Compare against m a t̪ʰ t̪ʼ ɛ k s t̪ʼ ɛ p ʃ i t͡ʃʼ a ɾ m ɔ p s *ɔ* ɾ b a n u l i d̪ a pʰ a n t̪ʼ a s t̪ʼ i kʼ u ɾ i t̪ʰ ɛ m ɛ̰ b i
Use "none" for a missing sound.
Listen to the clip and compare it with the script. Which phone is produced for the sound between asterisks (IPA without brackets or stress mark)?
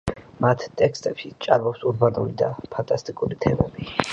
u